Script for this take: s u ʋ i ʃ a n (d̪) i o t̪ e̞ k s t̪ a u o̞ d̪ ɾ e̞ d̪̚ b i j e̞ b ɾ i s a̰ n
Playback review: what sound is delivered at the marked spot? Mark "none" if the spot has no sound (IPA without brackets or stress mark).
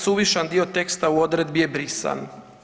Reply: d̪